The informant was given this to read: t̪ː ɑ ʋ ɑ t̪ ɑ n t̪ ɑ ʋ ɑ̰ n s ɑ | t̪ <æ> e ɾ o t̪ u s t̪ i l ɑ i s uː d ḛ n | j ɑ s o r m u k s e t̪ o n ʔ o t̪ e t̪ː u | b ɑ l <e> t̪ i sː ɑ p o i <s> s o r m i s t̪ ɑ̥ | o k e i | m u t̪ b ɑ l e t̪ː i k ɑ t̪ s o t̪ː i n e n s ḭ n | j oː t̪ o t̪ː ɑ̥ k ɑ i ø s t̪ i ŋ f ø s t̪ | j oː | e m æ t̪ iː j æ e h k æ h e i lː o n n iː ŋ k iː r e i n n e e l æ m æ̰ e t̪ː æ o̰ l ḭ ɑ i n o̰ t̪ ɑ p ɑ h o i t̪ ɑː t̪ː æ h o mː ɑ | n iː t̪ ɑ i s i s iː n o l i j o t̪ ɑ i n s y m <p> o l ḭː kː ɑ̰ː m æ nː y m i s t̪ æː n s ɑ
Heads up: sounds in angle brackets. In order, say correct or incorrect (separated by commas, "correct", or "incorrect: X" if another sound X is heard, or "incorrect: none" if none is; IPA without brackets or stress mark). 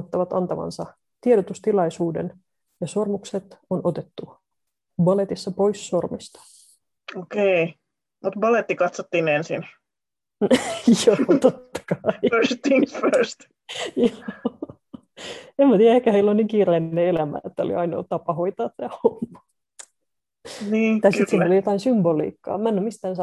incorrect: i, correct, correct, incorrect: b